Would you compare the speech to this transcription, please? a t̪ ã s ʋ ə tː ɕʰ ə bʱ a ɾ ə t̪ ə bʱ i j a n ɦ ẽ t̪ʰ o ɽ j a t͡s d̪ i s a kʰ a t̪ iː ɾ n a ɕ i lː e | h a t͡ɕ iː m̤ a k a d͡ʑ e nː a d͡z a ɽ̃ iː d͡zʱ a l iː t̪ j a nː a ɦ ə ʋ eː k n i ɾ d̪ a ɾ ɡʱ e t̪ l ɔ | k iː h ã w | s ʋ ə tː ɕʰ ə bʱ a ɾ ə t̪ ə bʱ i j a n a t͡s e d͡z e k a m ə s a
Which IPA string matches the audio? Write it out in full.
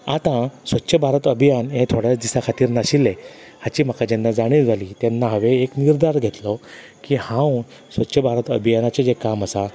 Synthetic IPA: a t̪ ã s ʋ ə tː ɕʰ ə bʱ a ɾ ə t̪ ə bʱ i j a n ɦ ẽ t̪ʰ o ɽ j a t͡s d̪ i s a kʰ a t̪ iː ɾ n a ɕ i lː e | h a t͡ɕ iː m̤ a k a d͡ʑ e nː a d͡z a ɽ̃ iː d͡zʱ a l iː t̪ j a nː a ɦ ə ʋ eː k n i ɾ d̪ a ɾ ɡʱ e t̪ l ɔ | k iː h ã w | s ʋ ə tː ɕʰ ə bʱ a ɾ ə t̪ ə bʱ i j a n a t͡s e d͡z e k a m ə s a